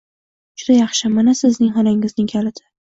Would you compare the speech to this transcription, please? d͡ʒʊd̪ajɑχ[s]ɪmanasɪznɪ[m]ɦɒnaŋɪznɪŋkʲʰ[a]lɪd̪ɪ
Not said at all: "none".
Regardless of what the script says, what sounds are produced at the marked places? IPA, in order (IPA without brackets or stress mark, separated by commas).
ʃ, ŋ, a